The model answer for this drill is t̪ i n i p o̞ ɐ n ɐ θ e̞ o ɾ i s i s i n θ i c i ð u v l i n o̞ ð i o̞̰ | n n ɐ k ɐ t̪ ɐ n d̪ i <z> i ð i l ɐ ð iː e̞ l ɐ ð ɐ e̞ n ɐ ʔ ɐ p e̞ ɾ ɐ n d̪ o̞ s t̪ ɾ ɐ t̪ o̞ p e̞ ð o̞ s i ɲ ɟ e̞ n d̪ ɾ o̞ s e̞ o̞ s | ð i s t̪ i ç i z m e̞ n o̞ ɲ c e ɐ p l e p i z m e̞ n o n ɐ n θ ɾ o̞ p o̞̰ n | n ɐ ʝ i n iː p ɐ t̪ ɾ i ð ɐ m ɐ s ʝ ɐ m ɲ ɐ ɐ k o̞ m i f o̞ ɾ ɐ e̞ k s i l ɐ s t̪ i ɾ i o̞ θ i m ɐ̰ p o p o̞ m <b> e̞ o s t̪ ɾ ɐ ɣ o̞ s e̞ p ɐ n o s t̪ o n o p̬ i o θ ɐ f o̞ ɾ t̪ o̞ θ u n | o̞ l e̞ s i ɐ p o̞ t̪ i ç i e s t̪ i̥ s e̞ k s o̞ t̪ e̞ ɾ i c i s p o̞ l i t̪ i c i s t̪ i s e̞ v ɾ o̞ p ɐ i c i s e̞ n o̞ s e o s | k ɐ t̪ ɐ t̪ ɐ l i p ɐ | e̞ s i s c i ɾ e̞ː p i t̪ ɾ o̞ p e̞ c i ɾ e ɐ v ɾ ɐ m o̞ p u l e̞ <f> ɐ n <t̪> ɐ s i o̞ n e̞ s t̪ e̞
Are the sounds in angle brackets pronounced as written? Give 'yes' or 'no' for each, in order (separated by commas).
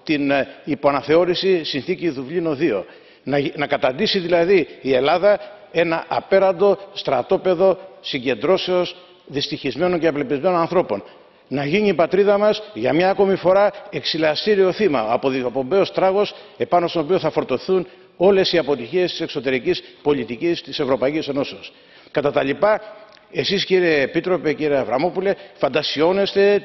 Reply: no, yes, yes, no